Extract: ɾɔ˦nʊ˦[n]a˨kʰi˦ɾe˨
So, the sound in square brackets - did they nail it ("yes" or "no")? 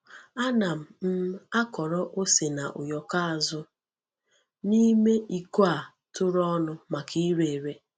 no